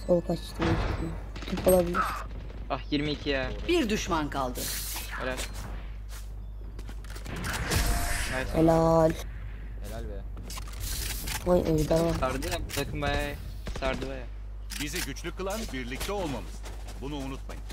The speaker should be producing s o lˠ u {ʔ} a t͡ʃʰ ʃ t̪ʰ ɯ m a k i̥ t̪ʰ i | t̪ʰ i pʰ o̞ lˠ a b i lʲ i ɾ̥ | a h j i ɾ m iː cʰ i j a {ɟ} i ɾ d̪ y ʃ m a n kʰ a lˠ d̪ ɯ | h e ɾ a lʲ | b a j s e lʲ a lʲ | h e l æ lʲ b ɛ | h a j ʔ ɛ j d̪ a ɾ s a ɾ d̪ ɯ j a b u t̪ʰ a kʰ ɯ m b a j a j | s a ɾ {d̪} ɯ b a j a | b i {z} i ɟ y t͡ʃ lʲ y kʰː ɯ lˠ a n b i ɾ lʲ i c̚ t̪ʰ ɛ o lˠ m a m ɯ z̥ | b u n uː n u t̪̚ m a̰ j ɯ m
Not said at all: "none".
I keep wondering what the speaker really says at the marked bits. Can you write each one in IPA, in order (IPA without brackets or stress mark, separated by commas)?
k, b, d̪, z